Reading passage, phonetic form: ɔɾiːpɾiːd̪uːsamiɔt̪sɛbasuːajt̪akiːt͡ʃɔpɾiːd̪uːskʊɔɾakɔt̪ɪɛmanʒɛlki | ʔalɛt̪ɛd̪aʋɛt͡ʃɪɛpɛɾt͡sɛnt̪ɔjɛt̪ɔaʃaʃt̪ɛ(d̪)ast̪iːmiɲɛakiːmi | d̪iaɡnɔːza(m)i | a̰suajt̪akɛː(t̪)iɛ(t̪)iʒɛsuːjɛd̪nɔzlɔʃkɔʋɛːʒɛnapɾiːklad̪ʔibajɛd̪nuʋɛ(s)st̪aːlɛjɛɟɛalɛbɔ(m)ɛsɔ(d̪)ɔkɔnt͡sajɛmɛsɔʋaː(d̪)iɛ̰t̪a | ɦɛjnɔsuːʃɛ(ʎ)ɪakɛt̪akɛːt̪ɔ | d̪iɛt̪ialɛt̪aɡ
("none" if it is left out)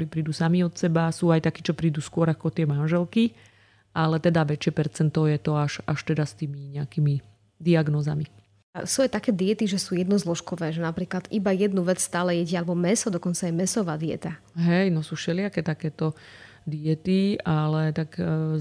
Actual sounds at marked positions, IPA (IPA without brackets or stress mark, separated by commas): d̪, m, d̪, t̪, t͡s, m, d̪, d̪, l